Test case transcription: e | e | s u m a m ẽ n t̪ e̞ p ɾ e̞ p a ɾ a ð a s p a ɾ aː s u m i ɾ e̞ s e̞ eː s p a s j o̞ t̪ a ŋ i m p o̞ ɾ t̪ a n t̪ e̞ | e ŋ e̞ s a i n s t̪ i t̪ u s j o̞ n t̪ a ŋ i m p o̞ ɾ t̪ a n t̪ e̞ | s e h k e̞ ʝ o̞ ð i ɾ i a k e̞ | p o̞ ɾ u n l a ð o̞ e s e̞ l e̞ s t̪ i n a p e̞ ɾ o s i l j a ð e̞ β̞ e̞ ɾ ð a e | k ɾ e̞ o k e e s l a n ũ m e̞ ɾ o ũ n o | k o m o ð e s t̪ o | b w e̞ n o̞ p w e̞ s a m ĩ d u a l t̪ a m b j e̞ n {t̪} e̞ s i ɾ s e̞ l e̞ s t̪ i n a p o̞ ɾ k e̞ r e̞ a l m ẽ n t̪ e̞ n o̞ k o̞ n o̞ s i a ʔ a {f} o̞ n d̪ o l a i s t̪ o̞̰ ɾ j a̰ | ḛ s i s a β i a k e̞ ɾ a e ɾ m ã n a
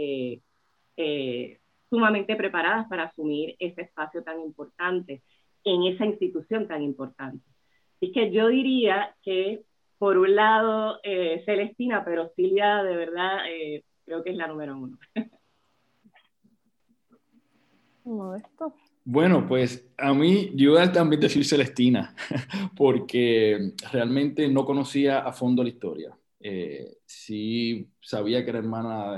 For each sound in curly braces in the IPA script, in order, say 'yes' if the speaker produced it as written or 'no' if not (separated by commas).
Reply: no, yes